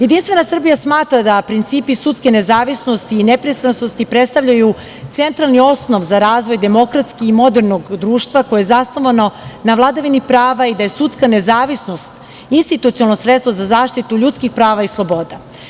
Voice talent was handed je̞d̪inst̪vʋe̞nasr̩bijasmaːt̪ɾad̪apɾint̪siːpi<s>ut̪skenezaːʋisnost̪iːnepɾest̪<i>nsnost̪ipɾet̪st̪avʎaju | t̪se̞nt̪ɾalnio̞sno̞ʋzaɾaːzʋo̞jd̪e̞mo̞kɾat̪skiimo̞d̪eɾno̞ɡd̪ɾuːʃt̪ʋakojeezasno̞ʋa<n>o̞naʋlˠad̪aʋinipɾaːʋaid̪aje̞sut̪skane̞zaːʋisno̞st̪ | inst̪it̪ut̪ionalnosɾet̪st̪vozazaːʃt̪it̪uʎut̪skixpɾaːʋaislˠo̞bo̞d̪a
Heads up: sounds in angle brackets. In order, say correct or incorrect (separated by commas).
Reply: correct, incorrect, correct